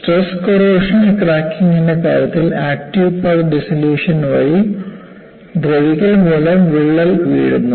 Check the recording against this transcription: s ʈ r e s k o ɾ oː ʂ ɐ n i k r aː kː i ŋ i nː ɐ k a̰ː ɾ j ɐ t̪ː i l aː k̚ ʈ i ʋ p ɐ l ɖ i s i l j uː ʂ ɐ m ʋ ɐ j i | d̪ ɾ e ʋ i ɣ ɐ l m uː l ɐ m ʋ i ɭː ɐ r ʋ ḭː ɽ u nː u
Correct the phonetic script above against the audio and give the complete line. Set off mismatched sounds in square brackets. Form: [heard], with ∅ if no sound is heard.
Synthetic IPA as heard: s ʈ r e s k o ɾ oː ʂ ɐ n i k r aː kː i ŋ i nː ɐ k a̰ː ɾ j ɐ t̪ː i l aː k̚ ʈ i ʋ p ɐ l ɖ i s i l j uː ʂ ɐ [n] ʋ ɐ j i | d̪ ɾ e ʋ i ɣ ɐ l m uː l ɐ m ʋ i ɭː ɐ [l] ʋ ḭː ɽ u nː u

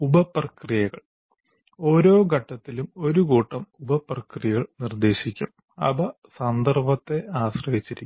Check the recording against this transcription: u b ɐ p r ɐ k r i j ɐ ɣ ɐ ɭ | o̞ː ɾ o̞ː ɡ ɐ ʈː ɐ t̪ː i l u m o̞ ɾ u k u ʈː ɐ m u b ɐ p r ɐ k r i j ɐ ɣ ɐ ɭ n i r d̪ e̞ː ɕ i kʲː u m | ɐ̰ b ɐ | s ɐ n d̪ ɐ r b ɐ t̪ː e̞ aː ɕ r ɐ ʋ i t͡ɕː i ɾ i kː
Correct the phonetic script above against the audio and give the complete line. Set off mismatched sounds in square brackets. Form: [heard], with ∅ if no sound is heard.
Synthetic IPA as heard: u b ɐ p r ɐ k r i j ɐ ɣ ɐ ɭ | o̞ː ɾ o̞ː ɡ ɐ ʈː ɐ t̪ː i l u m o̞ ɾ u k [uː] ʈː ɐ m u b ɐ p r ɐ k r i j ɐ ɣ ɐ ɭ n i r d̪ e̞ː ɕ i kʲː u m | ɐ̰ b ɐ | s ɐ n d̪ ɐ r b ɐ t̪ː e̞ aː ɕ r ɐ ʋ i t͡ɕː i ɾ i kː

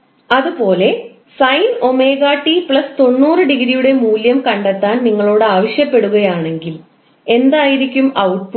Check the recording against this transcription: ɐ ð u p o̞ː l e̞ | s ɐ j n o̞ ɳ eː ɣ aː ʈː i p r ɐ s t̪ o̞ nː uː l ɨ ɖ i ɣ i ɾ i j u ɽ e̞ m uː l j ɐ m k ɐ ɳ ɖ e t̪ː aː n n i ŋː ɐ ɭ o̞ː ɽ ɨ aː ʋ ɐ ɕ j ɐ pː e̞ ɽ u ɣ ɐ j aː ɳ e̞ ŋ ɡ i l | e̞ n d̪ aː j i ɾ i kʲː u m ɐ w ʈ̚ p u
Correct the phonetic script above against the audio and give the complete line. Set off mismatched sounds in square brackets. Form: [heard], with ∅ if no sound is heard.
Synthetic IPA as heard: ɐ ð u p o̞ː l e̞ | s ɐ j n o̞ [m] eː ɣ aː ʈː i p [ɭ] ɐ s t̪ o̞ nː uː [r] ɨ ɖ i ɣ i ɾ i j u ɽ e̞ m uː l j ɐ m k ɐ ɳ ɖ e t̪ː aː n n i ŋː ɐ ɭ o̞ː ɽ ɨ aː ʋ ɐ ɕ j ɐ pː e̞ ɽ u ɣ ɐ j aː ɳ e̞ ŋ ɡ i l | e̞ n d̪ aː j i ɾ i kʲː u m ɐ w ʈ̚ p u

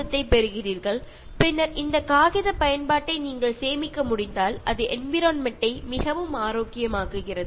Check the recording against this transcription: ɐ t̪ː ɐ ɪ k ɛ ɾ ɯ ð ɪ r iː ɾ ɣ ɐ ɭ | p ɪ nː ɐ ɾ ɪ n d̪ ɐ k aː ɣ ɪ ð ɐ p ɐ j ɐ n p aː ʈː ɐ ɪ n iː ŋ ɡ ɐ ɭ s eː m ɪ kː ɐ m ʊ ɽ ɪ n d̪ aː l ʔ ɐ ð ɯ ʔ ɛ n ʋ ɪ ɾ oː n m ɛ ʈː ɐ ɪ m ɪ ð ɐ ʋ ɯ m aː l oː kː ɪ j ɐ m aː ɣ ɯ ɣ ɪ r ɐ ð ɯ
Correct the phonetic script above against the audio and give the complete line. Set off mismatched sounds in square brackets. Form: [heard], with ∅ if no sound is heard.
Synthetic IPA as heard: ɐ t̪ː ɐ ɪ [p] ɛ ɾ ɯ [ɣ] ɪ r iː ɾ ɣ ɐ ɭ | p ɪ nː ɐ ɾ ɪ n d̪ ɐ k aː ɣ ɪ ð ɐ p ɐ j ɐ n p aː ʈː ɐ ɪ n iː ŋ ɡ ɐ ɭ s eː m ɪ kː ɐ m ʊ ɽ ɪ n d̪ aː l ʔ ɐ ð ɯ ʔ ɛ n ʋ ɪ ɾ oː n m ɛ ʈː ɐ ɪ m ɪ [ɣ] ɐ ʋ ɯ m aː [ɾ] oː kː ɪ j ɐ m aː ɣ ɯ ɣ ɪ r ɐ ð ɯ

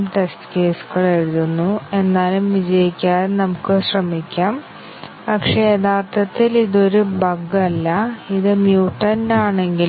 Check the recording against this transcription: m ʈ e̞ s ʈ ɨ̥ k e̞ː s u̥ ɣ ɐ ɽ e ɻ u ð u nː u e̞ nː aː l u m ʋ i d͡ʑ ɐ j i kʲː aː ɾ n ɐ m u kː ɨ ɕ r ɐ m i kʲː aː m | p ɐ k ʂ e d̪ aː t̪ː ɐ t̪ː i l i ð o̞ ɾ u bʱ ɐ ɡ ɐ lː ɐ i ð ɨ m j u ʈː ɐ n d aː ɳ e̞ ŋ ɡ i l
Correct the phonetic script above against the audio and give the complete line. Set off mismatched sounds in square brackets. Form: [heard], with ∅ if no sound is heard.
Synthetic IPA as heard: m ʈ e̞ s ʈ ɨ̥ k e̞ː s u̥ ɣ ɐ [ɭ] e ɻ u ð u nː u e̞ nː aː l u m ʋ i d͡ʑ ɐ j i kʲː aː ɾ n ɐ m u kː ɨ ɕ r ɐ m i kʲː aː m | p ɐ k ʂ e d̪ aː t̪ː ɐ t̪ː i l i ð o̞ ɾ u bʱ ɐ ɡ ɐ lː ɐ i ð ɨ m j [uː] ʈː ɐ n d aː ɳ e̞ ŋ ɡ i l

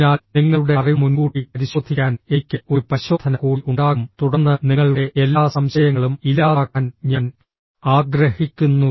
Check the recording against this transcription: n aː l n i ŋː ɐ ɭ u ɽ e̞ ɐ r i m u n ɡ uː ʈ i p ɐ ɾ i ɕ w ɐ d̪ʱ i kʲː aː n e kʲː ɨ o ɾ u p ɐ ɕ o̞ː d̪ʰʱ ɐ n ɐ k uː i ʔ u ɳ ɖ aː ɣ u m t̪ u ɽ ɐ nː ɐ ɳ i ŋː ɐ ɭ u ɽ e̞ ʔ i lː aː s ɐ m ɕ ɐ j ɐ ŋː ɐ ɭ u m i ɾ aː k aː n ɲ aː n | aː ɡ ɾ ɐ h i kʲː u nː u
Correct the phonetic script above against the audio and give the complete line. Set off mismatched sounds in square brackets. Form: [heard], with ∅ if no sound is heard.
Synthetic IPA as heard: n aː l n i ŋː ɐ ɭ u ɽ e̞ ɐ r i m u n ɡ uː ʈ i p ɐ ɾ i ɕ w ɐ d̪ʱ i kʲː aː n e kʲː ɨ o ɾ u p ɐ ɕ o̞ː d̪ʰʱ ɐ n ɐ k uː i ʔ u ɳ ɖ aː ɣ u m t̪ u ɽ ɐ nː ɐ [n] i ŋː ɐ ɭ u ɽ e̞ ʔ [e] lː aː s ɐ m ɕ ɐ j ɐ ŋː ɐ ɭ u m i [l] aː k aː n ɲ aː n | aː ɡ ɾ ɐ h i kʲː u nː u

